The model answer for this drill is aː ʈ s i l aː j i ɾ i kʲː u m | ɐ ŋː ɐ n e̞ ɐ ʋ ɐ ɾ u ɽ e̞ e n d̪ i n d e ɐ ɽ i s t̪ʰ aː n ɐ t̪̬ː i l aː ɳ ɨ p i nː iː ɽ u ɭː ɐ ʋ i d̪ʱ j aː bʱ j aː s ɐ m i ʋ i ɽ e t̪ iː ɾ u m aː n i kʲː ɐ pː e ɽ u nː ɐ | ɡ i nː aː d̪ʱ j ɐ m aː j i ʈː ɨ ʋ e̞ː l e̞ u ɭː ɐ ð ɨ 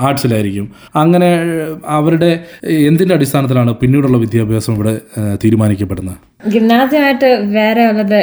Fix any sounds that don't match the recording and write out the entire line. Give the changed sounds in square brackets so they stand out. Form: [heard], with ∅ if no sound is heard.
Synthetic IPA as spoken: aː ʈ s i l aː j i ɾ i kʲː u m | ɐ ŋː ɐ n e̞ ɐ ʋ ɐ ɾ u ɽ e̞ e n d̪ i n d e ɐ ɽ i s t̪ʰ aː n ɐ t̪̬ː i l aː ɳ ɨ p i nː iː ɽ u ɭː ɐ ʋ i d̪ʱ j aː bʱ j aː s ɐ m i ʋ i ɽ e t̪ iː ɾ u m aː n i kʲː ɐ pː e ɽ u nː ɐ | ɡ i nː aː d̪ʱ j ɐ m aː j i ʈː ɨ ʋ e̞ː [ɾ] e̞ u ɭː ɐ ð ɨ